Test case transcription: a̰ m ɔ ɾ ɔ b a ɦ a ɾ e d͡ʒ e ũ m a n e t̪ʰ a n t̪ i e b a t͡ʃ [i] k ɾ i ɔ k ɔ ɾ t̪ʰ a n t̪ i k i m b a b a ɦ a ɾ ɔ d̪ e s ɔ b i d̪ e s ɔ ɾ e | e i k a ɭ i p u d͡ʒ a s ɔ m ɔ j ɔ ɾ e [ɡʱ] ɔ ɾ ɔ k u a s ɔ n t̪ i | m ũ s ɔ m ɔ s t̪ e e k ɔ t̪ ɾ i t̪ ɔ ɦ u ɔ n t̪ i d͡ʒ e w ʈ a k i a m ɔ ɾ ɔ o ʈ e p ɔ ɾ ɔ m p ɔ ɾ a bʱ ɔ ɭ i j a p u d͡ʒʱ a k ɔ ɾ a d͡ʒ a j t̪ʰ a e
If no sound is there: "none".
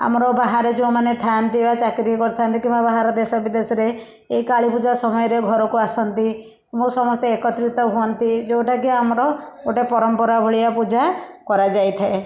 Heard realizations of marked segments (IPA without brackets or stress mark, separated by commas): a, ɡʱ